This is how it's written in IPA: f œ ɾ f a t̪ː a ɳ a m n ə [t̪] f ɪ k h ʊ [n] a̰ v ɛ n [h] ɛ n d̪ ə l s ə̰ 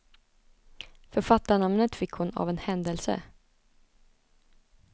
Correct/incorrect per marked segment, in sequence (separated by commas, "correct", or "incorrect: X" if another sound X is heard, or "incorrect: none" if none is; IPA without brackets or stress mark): correct, correct, correct